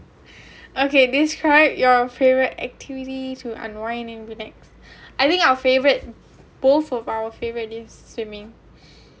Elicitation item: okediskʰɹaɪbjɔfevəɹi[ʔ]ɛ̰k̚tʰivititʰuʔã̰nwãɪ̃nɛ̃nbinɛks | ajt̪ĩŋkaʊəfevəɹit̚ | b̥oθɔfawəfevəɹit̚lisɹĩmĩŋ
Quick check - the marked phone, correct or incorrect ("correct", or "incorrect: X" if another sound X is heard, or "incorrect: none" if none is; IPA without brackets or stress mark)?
incorrect: t